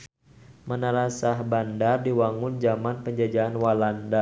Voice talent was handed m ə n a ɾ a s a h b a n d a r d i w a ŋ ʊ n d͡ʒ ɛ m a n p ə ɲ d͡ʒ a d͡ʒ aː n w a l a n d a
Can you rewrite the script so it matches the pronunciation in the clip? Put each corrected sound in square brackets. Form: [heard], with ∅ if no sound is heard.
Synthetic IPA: m ə n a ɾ a s a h b a n d a r d i w a ŋ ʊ n d͡ʒ [a] m a n p ə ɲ d͡ʒ a d͡ʒ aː n w a l a n d a